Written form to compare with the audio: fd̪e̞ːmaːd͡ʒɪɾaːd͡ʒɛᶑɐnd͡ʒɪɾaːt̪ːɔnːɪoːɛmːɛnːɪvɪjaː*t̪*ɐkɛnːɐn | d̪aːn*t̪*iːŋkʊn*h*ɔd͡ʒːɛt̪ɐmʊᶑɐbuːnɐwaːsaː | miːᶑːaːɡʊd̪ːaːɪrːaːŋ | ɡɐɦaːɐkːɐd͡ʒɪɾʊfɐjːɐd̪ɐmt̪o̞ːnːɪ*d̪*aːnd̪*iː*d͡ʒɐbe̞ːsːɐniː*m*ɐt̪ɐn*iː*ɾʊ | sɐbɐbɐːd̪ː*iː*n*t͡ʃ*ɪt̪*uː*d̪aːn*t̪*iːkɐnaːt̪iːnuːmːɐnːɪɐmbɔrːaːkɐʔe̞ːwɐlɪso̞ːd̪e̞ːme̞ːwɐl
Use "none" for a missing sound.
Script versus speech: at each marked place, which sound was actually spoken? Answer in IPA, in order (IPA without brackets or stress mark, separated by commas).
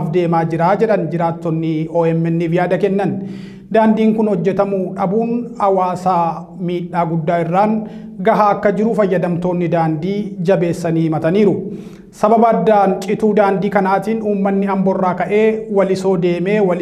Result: d̪, d̪, h, d̪, iː, m, iː, aː, t͡ʃʼ, uː, d̪